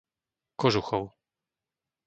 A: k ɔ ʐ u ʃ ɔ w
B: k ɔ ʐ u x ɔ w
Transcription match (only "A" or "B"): B